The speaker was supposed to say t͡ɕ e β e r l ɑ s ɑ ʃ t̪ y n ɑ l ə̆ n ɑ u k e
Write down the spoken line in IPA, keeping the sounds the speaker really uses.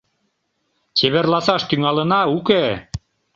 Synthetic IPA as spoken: t͡ɕ e β e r l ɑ s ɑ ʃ t̪ y ŋ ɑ l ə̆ n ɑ u k e